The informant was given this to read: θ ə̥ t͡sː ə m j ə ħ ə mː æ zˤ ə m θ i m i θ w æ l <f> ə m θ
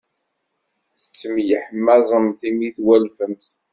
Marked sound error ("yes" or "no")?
no